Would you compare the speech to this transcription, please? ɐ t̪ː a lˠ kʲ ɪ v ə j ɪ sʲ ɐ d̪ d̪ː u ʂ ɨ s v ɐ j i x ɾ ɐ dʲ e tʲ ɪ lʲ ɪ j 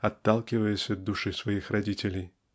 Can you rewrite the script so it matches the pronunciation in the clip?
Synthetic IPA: ɐ t̪ː a lˠ kʲ ɪ v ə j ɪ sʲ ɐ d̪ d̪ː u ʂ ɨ s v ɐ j i x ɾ ɐ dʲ i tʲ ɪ lʲ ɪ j